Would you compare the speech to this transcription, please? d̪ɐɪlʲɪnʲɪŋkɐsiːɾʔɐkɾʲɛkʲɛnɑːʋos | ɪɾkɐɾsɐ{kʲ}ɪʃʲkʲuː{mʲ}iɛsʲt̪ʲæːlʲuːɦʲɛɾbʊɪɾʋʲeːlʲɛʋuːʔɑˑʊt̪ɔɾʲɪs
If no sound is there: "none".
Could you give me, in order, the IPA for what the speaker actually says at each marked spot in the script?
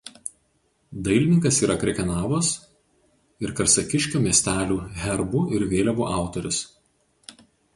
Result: kʲ, mʲ

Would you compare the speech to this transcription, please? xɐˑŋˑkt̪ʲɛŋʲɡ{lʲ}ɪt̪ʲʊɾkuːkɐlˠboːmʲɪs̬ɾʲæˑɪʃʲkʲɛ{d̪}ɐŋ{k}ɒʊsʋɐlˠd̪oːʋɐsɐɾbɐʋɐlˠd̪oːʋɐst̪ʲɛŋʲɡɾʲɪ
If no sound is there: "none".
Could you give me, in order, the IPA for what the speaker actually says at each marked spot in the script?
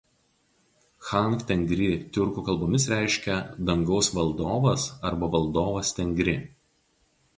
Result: ɾʲ, d̪, ɡ

